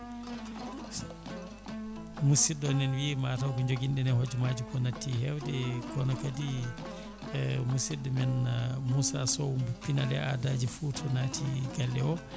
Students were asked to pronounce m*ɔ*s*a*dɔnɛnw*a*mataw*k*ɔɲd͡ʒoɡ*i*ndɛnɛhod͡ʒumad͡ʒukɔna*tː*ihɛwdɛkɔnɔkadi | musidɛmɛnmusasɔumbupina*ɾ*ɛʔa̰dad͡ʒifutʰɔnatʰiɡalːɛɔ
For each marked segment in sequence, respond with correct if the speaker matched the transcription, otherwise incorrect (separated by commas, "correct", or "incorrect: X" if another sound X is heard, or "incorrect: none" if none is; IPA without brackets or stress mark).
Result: incorrect: u, incorrect: i, incorrect: i, correct, correct, correct, incorrect: l